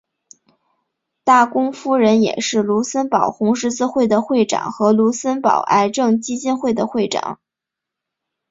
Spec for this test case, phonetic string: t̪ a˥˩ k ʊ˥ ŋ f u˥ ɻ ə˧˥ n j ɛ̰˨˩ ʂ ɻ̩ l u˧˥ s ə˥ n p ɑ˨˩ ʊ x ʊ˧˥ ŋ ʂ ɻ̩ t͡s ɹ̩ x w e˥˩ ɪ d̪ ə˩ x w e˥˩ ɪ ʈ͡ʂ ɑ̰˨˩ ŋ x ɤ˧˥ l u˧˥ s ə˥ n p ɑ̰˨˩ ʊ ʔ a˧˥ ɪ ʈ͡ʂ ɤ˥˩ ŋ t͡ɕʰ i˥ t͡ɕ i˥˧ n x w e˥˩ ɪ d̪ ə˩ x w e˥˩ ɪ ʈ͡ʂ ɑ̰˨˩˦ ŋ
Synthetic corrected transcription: t̪ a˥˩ k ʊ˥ ŋ f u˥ ɻ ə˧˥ n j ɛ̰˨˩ ʂ ɻ̩ l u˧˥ s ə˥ n p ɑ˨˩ ʊ x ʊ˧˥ ŋ ʂ ɻ̩ t͡s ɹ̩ x w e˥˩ ɪ d̪ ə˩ x w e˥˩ ɪ ʈ͡ʂ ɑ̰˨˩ ŋ x ɤ˧˥ l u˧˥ s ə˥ n p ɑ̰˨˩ ʊ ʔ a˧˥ ɪ ʈ͡ʂ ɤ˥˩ ŋ t͡ɕ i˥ t͡ɕ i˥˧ n x w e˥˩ ɪ d̪ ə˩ x w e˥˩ ɪ ʈ͡ʂ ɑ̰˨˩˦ ŋ